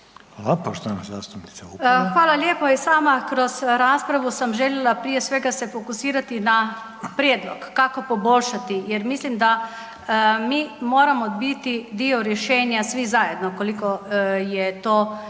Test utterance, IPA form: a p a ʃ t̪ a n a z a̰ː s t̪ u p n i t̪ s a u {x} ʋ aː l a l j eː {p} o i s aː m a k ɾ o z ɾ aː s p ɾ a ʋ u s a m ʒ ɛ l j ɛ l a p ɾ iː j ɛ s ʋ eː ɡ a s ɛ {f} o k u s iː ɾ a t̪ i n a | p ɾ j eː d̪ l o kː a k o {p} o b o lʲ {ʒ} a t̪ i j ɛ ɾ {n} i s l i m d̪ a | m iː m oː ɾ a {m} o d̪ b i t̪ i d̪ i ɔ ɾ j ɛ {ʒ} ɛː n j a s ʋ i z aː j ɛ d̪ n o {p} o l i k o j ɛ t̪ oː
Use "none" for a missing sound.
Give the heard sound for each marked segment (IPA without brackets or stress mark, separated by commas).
x, p, f, p, ʃ, m, m, ʃ, k